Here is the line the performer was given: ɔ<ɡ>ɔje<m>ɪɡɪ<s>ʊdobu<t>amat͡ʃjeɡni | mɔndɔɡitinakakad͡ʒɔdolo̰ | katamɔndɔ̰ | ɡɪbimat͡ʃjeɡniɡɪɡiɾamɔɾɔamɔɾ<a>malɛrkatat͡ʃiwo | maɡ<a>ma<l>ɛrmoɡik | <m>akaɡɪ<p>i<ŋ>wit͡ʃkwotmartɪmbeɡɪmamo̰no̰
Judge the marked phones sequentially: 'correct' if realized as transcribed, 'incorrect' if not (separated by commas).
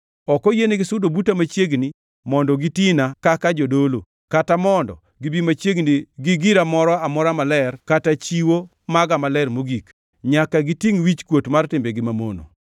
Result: incorrect, incorrect, correct, correct, correct, correct, correct, incorrect, incorrect, correct